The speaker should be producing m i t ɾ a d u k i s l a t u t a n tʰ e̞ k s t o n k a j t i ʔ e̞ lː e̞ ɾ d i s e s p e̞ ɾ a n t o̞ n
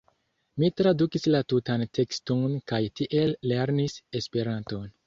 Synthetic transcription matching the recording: m i t ɾ a d u k i s l a t u t a n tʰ e̞ k s t o n k a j t i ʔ e̞ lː e̞ ɾ n i s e s p e̞ ɾ a n t o̞ n